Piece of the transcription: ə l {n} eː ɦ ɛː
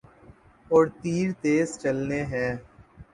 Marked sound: correct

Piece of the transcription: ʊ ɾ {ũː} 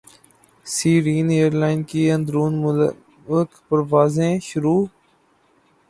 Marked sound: incorrect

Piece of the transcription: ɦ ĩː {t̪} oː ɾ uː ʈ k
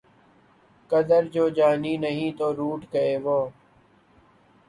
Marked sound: correct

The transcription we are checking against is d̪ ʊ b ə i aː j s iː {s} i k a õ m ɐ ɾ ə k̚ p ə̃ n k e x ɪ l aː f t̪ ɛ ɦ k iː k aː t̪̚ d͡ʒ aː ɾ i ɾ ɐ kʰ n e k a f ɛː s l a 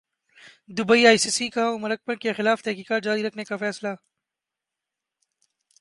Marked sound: correct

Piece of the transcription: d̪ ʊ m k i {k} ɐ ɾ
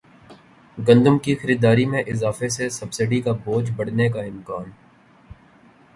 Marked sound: incorrect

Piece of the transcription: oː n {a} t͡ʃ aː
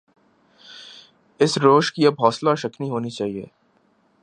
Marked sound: incorrect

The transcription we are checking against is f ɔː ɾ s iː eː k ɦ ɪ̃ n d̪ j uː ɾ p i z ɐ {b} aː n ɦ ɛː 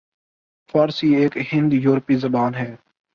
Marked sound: correct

